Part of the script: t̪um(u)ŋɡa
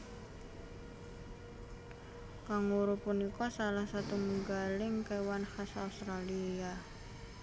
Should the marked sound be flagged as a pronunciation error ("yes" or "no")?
no